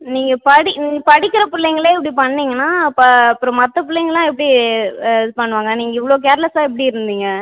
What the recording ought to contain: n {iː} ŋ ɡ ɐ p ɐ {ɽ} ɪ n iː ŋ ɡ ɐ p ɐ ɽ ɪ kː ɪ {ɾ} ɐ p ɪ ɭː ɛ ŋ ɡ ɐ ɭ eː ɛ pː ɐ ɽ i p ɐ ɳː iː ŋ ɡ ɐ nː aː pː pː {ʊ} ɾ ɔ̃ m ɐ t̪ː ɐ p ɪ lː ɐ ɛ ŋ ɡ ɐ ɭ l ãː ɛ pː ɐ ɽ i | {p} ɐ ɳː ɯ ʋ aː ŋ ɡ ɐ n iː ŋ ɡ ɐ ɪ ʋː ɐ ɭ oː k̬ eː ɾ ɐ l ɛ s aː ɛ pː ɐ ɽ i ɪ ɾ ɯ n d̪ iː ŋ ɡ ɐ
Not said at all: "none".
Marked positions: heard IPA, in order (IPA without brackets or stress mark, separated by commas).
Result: iː, ɽ, ɾ, ɯ, p